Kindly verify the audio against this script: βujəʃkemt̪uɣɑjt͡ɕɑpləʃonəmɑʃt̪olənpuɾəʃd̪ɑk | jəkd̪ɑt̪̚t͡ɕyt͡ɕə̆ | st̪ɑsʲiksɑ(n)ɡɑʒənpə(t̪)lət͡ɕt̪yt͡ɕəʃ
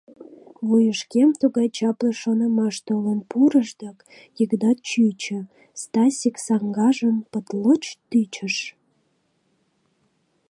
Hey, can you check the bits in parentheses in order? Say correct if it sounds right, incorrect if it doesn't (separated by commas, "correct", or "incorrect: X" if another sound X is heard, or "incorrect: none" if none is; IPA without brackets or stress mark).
incorrect: ŋ, correct